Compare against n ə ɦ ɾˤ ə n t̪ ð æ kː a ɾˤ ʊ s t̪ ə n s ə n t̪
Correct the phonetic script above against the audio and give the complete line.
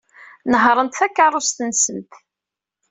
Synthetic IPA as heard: n ə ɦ ɾˤ ə n t̪ θ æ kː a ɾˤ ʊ s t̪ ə n s ə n t̪

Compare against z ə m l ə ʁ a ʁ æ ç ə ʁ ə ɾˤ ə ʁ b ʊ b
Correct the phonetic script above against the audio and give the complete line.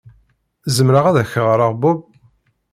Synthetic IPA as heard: z ə m ɾ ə ʁ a ð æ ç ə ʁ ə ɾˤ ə ʁ b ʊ b

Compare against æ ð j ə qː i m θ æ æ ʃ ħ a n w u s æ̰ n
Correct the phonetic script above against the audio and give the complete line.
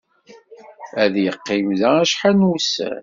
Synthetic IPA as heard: æ ð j ə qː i m ð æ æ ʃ ħ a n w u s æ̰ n

